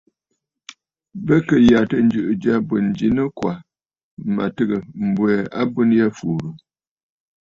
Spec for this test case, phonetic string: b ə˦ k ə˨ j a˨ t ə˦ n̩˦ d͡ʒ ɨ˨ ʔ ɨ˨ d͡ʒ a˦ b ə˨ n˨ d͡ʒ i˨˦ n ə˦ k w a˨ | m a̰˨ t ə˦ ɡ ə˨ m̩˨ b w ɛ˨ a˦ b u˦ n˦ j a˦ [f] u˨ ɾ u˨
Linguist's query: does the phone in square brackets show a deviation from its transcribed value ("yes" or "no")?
no